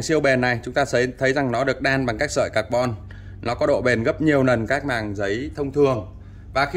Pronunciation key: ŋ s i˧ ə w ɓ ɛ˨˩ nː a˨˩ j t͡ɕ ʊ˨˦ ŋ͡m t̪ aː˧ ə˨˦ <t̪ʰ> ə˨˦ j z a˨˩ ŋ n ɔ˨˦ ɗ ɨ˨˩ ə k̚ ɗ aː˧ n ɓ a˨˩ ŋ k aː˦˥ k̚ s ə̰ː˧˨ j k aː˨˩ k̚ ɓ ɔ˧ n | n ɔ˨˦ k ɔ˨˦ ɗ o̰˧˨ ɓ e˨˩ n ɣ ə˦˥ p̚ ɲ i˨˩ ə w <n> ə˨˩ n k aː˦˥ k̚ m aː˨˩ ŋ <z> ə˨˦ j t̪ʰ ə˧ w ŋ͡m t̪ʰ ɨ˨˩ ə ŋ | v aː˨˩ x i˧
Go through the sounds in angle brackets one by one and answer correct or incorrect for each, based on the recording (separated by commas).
correct, correct, correct